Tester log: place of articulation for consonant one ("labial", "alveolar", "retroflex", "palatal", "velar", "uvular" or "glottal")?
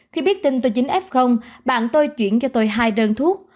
velar